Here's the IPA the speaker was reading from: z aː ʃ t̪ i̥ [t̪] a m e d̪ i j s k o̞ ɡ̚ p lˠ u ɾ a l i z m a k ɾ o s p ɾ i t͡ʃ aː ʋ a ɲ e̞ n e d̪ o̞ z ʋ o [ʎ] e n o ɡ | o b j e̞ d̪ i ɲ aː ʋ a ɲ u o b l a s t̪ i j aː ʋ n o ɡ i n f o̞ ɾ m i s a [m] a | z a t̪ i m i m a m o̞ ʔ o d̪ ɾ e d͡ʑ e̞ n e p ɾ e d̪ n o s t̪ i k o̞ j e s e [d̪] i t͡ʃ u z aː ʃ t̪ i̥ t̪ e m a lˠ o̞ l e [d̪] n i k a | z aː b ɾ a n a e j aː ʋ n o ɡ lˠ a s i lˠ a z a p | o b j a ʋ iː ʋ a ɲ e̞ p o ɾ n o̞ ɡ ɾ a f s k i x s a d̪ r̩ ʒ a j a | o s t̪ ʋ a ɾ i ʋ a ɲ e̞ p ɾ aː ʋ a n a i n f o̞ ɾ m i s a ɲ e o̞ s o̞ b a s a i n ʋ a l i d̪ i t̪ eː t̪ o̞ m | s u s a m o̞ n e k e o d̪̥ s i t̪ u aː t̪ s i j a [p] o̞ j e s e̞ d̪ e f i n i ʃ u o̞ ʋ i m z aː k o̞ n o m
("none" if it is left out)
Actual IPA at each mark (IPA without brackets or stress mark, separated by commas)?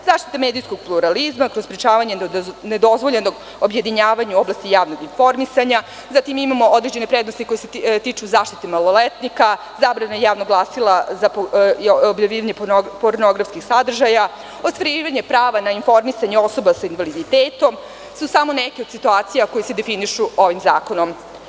t̪, ʎ, ɲ, t̪, t̪, k